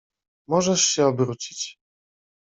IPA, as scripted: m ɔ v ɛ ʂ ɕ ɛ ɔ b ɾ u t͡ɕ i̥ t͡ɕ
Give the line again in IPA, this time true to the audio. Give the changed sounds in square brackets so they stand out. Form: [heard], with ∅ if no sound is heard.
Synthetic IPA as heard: m ɔ [ʐ] ɛ ʂ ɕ ɛ ɔ b ɾ u t͡ɕ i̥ t͡ɕ